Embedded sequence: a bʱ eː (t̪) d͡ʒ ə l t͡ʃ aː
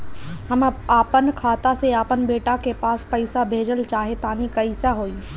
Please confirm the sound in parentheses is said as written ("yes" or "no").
no